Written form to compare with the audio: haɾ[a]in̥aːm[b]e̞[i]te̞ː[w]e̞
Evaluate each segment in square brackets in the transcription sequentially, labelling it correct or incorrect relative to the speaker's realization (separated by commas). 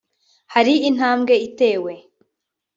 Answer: incorrect, incorrect, correct, correct